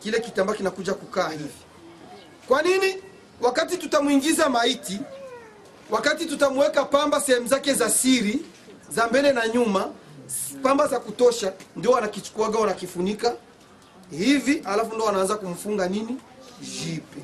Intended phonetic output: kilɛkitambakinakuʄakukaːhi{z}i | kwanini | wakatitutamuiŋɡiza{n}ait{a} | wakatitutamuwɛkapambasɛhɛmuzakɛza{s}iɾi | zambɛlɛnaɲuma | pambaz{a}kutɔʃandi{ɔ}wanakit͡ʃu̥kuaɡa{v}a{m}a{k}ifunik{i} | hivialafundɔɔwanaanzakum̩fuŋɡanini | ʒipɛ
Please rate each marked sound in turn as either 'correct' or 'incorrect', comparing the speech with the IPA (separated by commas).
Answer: incorrect, incorrect, incorrect, correct, correct, correct, incorrect, incorrect, correct, incorrect